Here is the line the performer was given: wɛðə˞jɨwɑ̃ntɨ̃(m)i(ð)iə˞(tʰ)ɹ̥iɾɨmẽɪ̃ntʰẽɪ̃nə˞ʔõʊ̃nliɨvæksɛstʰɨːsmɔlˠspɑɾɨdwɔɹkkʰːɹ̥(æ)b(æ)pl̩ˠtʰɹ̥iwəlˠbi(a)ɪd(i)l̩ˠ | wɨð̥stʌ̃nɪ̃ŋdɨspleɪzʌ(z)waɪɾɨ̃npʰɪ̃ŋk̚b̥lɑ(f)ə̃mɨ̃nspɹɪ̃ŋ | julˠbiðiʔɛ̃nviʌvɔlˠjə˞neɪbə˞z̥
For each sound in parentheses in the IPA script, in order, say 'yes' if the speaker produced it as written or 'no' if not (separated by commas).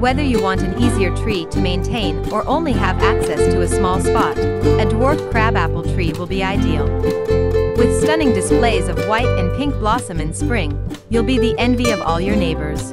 no, no, yes, yes, yes, yes, yes, no, no